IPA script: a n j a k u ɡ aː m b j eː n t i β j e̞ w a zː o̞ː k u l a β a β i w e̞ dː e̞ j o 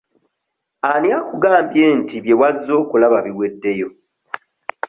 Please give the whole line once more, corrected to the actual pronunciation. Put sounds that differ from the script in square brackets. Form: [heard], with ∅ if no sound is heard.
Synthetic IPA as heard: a n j a k u ɡ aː m b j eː n t i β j e̞ w a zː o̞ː k u l a β a β i w e̞ dː e̞ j o